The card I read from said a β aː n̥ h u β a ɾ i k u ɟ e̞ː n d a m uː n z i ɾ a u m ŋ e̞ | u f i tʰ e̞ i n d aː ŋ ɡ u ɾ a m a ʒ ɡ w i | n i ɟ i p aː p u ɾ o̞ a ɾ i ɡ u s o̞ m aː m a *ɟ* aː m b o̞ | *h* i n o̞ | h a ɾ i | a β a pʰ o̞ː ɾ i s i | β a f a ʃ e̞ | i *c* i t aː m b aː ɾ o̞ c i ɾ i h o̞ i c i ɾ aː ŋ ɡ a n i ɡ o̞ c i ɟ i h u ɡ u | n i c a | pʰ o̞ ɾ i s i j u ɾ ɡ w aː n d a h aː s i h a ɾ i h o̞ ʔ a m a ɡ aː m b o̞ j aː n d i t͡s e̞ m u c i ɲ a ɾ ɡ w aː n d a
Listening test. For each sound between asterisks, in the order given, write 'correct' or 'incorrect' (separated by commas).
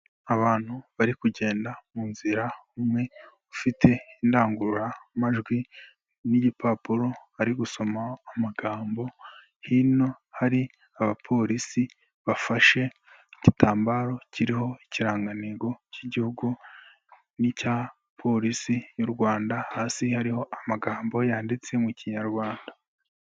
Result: incorrect, correct, correct